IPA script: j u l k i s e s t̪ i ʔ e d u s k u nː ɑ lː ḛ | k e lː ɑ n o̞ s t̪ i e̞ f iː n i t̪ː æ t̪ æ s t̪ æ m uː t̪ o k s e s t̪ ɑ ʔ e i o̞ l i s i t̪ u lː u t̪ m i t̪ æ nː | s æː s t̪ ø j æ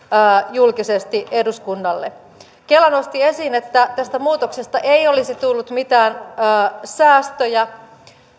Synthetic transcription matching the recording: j u l k i s e s t̪ i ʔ e d u s k u nː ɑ lː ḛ | k e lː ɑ n o̞ s t̪ i e̞ s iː n e t̪ː æ t̪ æ s t̪ æ m uː t̪ o k s e s t̪ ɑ ʔ e i o̞ l i s i t̪ u lː u t̪ m i t̪ æː nː | s æː s t̪ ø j æ

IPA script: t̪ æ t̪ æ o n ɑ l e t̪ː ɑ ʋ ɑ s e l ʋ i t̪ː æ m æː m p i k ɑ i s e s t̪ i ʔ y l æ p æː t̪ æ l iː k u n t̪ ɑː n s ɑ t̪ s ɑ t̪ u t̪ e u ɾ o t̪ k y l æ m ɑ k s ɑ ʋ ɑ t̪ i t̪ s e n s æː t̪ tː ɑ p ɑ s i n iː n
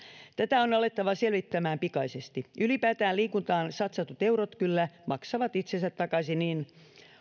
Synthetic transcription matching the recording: t̪ æ t̪ æ o n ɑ l e t̪ː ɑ ʋ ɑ s e l ʋ i t̪ː æ m æː m p i k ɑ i s e s t̪ i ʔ y l i p æː t̪ æː l iː k u n t̪ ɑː n s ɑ t̪ s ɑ t̪ u t̪ e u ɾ o t̪ k y lː æ m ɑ k s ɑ ʋ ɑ t̪ i t̪ s e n s æ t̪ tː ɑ k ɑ s i n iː n

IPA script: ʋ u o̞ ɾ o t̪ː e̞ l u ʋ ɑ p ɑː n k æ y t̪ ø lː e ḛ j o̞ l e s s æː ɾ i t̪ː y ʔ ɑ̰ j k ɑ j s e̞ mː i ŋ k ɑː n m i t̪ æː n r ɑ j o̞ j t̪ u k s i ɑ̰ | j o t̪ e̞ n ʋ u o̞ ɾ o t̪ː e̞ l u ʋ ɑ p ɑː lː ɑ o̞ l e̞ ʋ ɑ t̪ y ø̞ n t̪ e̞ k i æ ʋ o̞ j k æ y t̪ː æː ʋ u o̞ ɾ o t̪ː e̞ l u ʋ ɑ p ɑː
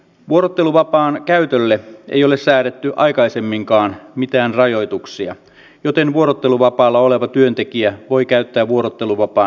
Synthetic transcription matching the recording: ʋ u o̞ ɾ o t̪ː e̞ l u ʋ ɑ p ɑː n k æ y t̪ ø lː e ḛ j o̞ l e s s æː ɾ e t̪ː y ʔ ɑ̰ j k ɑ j s e̞ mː i ŋ k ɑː n m i t̪ æː n r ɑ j o̞ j t̪ u k s i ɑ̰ | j o t̪ e̞ n ʋ u o̞ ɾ o t̪ː e̞ l u ʋ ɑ p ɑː lː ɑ o̞ l e̞ ʋ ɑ t̪ y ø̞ n t̪ e̞ k i æ ʋ o̞ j k æ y t̪ː æː ʋ u o̞ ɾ o t̪ː e̞ l u ʋ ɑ p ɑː

